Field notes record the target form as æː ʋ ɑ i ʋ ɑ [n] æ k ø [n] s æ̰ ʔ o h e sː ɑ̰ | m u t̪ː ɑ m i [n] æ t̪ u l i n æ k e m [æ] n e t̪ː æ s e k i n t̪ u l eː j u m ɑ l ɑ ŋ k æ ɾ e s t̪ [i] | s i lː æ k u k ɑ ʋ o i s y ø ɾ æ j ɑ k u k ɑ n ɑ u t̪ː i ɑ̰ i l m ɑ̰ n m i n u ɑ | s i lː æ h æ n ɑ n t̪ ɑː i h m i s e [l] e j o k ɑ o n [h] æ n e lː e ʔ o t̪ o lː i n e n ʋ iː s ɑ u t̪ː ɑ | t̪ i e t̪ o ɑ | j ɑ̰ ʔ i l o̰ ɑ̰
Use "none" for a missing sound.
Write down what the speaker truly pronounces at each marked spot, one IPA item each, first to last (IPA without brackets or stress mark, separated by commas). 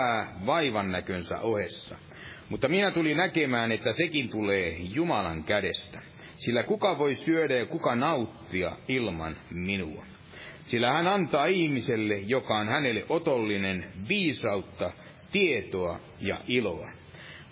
nː, n, n, æː, æ, lː, h